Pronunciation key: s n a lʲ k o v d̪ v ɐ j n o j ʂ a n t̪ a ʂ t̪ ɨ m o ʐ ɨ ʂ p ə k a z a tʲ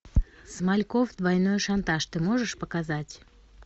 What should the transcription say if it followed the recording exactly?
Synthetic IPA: s m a lʲ k o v d̪ v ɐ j n o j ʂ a n t̪ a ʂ t̪ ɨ m o ʐ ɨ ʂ p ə k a z a tʲ